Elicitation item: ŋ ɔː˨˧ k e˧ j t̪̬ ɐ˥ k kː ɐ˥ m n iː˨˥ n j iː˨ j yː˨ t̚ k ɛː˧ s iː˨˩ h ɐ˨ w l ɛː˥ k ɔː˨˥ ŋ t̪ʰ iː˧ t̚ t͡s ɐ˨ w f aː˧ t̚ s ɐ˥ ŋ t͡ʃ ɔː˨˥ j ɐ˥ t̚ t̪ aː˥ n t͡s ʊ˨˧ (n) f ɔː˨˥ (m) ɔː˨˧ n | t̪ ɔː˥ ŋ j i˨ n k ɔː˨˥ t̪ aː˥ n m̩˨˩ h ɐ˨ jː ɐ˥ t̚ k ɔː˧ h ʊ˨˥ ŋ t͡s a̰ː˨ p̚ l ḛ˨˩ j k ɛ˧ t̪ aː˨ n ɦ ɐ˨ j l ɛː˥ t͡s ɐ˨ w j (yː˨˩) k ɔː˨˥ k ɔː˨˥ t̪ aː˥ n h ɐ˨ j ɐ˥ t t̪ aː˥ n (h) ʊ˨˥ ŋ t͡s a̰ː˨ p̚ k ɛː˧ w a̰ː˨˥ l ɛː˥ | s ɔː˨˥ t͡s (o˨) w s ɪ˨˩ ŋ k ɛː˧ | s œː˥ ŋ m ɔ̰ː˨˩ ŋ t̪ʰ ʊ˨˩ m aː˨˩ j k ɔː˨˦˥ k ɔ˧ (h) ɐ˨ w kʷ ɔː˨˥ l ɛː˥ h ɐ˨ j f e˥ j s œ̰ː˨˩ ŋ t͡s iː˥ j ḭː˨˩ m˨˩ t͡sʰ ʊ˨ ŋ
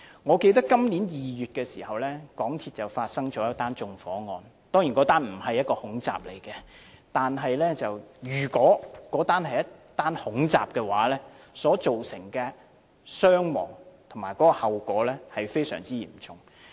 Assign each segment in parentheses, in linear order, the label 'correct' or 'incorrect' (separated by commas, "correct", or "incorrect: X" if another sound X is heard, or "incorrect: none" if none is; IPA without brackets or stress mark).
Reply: incorrect: ŋ, incorrect: ŋ, correct, correct, correct, correct